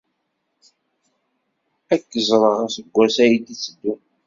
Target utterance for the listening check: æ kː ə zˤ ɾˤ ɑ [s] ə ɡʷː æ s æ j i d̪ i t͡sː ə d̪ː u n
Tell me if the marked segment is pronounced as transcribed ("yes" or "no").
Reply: yes